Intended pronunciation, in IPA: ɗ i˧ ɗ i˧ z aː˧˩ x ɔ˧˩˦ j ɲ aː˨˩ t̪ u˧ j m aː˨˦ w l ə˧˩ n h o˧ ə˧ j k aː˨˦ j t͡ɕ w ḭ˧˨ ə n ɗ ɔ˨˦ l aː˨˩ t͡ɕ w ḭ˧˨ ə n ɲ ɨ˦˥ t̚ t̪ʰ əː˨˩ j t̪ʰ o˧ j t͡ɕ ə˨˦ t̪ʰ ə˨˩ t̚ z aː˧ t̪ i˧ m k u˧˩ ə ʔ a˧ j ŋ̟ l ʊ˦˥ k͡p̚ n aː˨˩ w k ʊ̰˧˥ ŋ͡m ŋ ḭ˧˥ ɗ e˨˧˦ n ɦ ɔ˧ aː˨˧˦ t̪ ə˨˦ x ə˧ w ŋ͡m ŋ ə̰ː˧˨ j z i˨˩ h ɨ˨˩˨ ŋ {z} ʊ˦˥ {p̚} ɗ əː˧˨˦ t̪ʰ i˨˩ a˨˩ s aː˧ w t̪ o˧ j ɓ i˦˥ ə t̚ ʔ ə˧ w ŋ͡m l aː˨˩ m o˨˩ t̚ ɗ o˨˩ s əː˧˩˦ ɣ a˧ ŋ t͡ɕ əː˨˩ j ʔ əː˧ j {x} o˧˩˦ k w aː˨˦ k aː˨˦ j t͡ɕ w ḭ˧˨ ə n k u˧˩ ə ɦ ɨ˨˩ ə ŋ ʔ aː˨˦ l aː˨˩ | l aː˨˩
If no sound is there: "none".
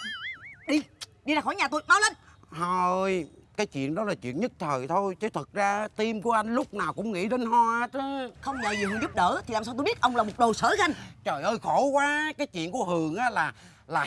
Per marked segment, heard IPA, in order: z, p̚, x

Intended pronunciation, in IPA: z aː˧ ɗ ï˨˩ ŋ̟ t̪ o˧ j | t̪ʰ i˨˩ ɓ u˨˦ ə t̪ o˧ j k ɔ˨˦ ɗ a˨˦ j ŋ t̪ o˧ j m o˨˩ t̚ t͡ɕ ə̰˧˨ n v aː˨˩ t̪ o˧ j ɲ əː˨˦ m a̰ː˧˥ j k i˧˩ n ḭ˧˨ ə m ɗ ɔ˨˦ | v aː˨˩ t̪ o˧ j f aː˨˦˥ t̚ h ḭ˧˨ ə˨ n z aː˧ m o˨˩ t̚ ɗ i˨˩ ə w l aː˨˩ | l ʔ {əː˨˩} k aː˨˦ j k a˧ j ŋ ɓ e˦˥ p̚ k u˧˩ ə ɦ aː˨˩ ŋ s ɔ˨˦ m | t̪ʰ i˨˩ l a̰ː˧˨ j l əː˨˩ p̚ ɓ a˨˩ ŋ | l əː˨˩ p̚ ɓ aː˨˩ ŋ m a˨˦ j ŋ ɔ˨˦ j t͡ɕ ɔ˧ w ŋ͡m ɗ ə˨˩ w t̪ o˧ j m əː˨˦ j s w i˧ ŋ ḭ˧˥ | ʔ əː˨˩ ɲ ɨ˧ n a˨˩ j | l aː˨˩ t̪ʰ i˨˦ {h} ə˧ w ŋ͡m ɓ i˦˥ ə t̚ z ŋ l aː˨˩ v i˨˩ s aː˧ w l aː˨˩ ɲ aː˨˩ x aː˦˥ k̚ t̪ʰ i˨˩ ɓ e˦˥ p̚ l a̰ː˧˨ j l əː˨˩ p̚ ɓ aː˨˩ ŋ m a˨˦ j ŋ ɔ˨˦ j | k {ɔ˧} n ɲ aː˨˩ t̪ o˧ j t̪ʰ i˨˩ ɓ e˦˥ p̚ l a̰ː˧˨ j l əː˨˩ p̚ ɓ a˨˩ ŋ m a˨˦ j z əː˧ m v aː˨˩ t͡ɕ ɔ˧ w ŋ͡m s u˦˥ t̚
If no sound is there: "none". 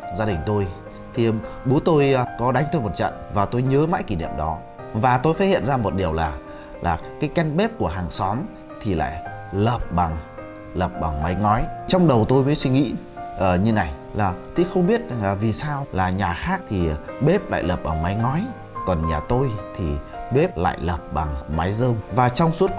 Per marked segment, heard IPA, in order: aː˨˩, x, ɔ˨˩

